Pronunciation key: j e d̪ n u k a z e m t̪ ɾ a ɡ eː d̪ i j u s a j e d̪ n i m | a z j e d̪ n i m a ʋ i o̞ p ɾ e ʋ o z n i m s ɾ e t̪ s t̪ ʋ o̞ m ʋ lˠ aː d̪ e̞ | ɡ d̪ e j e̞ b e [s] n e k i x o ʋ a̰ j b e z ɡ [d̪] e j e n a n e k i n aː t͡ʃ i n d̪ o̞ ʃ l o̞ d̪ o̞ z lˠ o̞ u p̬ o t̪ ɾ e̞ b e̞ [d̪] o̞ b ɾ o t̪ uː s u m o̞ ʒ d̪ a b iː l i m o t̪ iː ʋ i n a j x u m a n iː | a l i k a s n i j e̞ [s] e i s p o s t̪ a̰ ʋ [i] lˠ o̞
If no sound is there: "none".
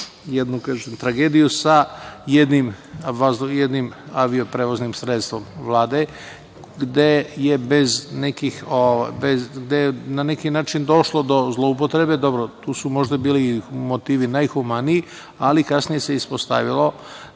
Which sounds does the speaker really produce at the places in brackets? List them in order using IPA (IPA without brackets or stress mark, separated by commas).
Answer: z, d̪, d̪, s, i